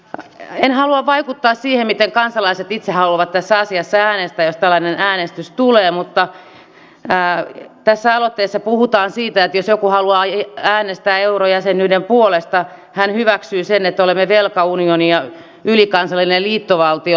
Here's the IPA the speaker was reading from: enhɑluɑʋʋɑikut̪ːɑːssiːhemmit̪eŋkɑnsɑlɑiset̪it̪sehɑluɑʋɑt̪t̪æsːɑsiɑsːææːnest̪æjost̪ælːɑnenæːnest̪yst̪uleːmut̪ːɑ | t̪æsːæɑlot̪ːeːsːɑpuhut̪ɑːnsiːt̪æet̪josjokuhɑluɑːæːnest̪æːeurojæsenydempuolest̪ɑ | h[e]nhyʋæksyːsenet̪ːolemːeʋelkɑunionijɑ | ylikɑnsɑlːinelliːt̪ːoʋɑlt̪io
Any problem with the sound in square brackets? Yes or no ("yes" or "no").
yes